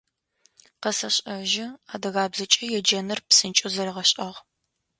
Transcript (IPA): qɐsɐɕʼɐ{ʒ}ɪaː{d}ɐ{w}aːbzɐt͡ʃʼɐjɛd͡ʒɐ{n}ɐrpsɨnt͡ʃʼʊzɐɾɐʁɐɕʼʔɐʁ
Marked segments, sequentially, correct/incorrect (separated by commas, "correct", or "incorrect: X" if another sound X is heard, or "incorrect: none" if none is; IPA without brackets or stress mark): correct, correct, incorrect: ɣ, correct